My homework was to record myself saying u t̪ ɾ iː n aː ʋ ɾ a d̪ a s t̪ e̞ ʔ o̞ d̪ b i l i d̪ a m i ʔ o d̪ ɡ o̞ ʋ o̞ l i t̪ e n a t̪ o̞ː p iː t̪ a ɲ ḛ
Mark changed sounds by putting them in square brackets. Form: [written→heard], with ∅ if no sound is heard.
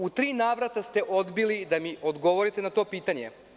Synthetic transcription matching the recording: u t̪ ɾ iː n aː ʋ ɾ a [d̪→t̪] a s t̪ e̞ ʔ o̞ d̪ b i l i d̪ a m i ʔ o d̪ ɡ o̞ ʋ o̞ [l→ɾ] i t̪ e n a t̪ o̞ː p iː t̪ a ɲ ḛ